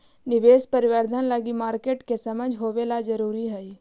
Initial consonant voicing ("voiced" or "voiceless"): voiced